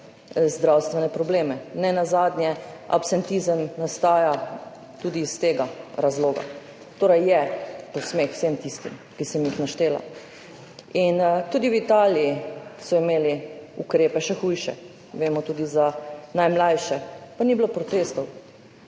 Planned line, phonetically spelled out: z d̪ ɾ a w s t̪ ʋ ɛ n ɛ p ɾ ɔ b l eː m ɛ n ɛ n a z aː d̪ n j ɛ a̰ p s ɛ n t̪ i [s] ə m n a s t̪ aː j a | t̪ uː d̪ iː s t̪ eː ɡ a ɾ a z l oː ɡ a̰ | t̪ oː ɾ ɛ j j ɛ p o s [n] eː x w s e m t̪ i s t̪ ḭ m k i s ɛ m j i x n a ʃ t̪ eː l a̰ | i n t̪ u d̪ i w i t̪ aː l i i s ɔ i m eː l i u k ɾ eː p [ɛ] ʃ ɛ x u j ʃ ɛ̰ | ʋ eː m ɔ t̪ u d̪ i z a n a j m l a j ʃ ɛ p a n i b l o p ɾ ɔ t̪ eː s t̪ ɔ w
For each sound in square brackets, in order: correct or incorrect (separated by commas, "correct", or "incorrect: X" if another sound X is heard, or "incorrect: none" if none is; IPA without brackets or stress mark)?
incorrect: z, incorrect: m, correct